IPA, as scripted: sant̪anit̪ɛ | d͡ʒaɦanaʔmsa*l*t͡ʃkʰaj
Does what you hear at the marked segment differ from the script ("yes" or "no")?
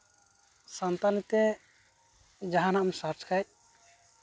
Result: yes